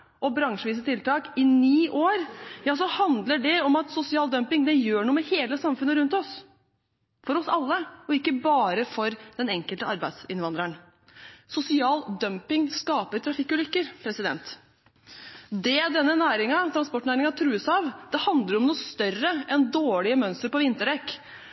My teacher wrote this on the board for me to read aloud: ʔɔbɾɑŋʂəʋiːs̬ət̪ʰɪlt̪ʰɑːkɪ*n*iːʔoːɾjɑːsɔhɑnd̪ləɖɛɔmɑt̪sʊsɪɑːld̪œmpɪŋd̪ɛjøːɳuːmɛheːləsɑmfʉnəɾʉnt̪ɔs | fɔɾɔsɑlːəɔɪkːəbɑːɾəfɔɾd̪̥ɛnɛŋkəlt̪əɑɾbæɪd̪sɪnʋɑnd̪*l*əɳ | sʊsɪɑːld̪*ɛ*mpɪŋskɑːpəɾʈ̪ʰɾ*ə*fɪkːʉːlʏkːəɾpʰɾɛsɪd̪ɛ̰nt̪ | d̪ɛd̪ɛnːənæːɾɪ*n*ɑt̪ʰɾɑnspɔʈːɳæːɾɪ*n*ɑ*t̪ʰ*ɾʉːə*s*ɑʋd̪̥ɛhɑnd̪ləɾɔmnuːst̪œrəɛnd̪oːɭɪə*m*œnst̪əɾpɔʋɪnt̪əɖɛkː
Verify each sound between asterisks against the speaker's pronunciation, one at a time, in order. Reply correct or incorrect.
correct, incorrect: ɾ, incorrect: œ, incorrect: ɑ, incorrect: ŋ, incorrect: ŋ, correct, correct, correct

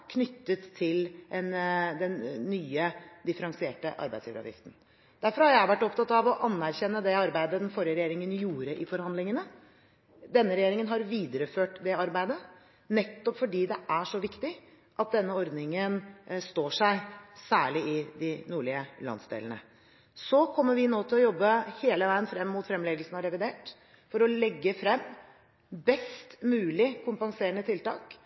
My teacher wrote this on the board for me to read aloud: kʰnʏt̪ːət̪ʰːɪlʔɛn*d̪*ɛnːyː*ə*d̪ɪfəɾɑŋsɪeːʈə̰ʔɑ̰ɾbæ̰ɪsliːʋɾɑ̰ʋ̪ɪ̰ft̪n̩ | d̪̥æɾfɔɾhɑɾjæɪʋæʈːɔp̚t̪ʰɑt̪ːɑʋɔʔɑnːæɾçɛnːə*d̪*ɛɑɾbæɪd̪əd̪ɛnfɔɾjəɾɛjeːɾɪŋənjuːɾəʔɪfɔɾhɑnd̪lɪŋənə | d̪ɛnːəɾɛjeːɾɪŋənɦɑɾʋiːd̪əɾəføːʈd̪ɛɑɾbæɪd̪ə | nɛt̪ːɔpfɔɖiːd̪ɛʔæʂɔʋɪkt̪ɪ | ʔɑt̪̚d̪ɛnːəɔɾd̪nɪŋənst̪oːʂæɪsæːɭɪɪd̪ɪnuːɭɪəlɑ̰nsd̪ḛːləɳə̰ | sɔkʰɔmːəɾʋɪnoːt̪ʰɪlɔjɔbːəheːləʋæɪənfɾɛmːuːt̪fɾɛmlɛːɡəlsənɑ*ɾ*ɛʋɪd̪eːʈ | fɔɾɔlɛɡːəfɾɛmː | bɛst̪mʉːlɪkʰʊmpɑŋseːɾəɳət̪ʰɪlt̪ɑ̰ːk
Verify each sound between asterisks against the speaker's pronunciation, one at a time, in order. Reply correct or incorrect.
correct, correct, correct, correct

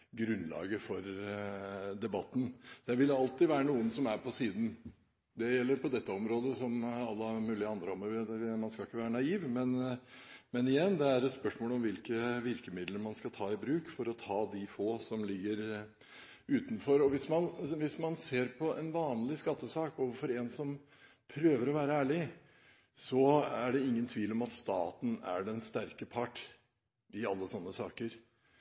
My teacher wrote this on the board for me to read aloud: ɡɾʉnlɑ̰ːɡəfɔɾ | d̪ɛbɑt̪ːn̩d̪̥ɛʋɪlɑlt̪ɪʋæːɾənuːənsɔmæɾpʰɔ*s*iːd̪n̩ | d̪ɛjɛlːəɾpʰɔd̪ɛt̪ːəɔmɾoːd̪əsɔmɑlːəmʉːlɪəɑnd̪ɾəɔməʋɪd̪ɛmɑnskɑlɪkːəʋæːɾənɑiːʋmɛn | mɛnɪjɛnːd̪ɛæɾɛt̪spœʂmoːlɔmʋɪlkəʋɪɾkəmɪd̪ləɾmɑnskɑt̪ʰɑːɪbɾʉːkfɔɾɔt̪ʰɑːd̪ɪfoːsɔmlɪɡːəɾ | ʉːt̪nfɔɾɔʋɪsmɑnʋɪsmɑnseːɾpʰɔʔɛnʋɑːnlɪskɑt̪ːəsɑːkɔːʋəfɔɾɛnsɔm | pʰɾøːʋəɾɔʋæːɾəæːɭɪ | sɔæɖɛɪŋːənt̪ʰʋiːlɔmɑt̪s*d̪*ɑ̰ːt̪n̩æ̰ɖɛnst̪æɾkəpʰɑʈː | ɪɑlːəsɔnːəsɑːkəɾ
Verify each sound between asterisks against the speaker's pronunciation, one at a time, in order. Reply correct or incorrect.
correct, incorrect: t̪

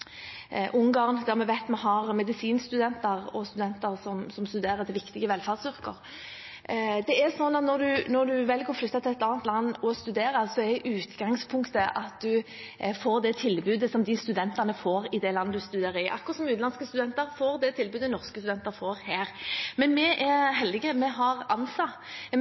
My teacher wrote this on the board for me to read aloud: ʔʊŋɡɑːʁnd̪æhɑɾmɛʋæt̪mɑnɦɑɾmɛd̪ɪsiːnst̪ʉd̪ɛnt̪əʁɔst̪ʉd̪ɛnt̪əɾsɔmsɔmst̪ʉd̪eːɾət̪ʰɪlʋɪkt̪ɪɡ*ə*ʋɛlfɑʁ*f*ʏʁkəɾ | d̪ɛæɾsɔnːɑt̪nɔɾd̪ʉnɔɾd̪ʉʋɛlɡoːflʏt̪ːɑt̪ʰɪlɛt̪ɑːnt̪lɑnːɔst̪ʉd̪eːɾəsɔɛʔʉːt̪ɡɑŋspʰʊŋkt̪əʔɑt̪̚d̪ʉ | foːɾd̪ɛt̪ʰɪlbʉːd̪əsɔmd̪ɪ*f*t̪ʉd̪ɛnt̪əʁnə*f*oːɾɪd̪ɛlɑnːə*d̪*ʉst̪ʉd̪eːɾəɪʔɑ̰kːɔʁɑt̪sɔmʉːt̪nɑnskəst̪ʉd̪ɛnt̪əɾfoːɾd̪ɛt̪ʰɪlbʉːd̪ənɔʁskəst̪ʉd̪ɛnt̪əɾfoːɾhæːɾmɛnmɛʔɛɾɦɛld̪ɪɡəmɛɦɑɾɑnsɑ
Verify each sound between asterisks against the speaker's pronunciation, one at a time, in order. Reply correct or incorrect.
correct, incorrect: s, incorrect: s, correct, correct

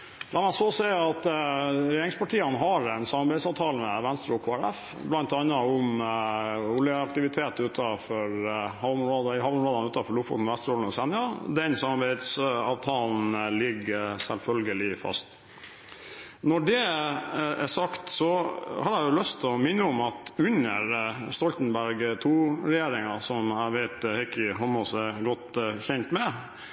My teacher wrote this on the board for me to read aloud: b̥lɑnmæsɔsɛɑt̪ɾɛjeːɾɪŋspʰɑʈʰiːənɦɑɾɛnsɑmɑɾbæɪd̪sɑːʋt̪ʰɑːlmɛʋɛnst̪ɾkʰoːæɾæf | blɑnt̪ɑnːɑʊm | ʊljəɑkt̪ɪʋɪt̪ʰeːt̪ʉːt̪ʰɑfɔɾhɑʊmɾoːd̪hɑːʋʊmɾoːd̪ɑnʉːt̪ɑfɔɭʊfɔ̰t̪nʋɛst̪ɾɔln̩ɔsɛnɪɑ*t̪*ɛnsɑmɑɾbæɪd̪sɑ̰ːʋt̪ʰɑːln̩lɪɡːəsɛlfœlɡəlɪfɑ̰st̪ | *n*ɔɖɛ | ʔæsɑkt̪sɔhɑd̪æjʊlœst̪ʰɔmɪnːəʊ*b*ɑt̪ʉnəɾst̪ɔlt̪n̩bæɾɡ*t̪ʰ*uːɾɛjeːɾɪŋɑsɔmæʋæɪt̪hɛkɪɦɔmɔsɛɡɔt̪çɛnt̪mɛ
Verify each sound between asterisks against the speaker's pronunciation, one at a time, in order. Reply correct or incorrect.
incorrect: d̪, correct, incorrect: m, correct

